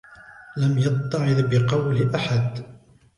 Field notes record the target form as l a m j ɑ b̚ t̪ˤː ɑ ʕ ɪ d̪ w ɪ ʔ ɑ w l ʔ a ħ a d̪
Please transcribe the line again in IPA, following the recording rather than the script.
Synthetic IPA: l a m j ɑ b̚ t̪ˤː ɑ ʕ ɪ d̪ b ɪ q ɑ w l ʔ a ħ a d̪